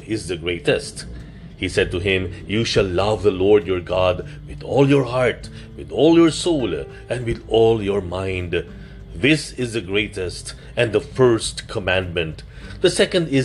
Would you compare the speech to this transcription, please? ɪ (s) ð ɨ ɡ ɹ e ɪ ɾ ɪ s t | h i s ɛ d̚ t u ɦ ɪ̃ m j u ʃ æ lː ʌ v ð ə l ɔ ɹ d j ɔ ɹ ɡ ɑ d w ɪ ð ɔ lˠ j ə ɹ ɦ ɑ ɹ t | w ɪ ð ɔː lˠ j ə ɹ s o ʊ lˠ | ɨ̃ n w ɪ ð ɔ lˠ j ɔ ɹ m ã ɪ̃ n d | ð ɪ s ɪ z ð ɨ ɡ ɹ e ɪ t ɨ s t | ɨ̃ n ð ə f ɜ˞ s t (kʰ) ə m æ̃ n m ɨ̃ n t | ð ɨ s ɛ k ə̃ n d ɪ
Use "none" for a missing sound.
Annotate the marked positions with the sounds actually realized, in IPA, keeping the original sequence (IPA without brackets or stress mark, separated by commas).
z, kʰ